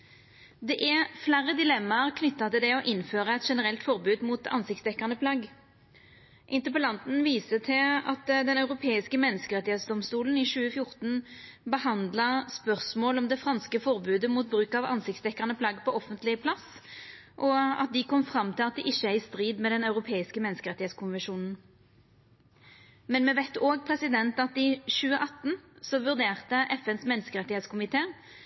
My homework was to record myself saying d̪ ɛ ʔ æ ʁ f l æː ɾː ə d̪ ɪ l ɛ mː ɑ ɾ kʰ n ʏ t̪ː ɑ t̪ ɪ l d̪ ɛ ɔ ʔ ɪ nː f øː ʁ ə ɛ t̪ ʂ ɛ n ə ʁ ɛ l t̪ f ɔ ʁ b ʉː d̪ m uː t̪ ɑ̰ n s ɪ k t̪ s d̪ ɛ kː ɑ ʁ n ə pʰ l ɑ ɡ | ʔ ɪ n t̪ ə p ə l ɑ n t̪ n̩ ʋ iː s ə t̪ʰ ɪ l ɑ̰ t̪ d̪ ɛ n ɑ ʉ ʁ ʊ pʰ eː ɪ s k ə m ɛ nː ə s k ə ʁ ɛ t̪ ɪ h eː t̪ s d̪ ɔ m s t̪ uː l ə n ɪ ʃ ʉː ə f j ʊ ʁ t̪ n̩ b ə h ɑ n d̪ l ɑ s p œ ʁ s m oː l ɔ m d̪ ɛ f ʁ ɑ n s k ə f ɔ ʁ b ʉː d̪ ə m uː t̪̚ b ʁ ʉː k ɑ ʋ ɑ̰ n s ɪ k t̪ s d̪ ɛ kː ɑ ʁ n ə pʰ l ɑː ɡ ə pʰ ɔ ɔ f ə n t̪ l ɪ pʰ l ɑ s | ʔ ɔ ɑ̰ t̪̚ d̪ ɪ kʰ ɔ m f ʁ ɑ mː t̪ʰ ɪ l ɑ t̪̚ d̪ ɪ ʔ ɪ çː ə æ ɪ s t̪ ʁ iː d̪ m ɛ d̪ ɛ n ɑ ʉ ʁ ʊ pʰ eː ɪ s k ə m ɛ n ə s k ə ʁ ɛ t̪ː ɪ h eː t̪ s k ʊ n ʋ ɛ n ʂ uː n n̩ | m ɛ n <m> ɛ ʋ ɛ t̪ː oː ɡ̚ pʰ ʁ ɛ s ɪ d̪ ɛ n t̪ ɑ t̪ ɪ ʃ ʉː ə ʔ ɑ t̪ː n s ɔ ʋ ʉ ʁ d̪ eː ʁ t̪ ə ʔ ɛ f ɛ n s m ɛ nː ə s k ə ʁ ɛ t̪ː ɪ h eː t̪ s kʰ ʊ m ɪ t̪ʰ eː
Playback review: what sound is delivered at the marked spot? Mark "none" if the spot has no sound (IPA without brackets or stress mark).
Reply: m